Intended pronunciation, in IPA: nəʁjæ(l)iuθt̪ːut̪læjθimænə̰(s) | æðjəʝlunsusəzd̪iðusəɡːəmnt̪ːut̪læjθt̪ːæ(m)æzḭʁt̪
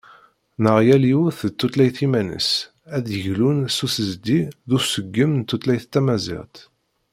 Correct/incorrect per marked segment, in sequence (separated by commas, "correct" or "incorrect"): correct, correct, correct